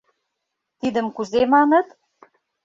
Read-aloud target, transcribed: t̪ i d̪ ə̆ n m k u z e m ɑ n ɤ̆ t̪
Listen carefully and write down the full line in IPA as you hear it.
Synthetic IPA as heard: t̪ i d̪ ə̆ m k u z e m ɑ n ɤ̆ t̪